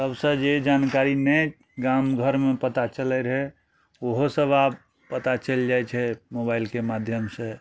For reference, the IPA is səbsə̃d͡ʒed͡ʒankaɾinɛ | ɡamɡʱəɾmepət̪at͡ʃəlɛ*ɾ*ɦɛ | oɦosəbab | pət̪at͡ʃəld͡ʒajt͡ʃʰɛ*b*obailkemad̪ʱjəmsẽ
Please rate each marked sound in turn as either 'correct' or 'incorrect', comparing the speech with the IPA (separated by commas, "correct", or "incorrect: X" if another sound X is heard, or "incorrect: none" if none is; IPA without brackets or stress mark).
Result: correct, incorrect: m